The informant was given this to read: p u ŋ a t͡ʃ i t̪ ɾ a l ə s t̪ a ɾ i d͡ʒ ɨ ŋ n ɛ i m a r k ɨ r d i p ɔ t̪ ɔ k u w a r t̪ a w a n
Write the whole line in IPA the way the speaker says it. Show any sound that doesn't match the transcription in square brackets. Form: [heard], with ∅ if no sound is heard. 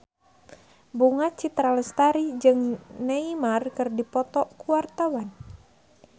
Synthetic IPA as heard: [b] u ŋ a t͡ʃ i t̪ ɾ a l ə s t̪ a ɾ i d͡ʒ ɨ ŋ n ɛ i m a r k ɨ r d i p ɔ t̪ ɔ k u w a r t̪ a w a n